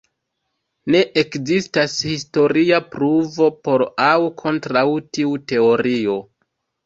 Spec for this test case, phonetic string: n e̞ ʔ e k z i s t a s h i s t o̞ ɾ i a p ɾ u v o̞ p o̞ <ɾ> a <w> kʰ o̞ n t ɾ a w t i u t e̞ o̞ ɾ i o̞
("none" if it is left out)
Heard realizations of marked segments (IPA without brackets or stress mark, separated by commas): ɾ, w